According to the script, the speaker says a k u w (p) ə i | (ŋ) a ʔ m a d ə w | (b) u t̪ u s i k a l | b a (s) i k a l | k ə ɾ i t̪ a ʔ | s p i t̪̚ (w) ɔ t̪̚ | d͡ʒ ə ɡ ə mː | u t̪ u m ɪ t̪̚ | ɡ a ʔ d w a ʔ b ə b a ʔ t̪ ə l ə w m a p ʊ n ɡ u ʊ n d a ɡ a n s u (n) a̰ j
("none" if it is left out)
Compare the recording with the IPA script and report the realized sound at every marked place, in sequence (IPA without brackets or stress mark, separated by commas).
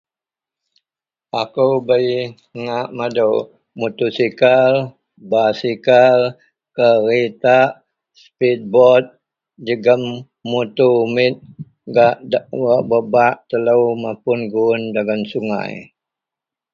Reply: b, ŋ, m, s, b, ŋ